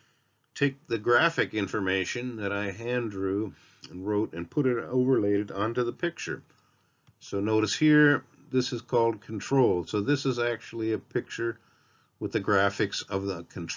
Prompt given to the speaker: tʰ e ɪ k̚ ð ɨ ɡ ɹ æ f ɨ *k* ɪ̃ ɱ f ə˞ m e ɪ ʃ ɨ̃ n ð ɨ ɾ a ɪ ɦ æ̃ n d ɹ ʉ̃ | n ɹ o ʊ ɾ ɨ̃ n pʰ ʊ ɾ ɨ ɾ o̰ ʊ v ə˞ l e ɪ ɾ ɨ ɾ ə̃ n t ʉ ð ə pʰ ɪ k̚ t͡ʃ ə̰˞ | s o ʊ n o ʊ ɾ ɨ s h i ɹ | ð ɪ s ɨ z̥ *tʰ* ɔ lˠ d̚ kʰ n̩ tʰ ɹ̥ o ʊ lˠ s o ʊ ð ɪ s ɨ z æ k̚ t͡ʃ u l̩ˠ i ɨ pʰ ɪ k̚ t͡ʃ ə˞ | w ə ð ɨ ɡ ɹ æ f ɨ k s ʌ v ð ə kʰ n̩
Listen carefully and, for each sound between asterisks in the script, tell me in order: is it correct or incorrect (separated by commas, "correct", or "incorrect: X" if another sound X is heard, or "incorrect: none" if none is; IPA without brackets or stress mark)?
correct, incorrect: kʰ